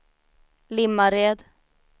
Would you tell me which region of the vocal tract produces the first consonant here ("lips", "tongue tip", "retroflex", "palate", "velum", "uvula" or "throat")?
tongue tip